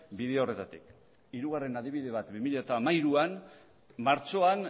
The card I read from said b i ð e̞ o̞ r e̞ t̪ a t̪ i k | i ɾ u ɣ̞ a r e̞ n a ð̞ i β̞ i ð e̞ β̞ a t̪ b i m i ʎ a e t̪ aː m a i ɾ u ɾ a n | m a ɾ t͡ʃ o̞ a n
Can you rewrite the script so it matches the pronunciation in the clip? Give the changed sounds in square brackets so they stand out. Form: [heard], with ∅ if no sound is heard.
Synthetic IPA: b i ð e̞ o̞ r e̞ t̪ a t̪ i k | i ɾ u ɣ̞ a r e̞ n a ð̞ i β̞ i ð e̞ β̞ a t̪ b i m i ʎ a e t̪ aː m a i ɾ u [∅] a n | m a ɾ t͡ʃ o̞ a n